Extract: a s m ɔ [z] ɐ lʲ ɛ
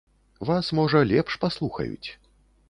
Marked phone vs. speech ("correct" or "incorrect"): incorrect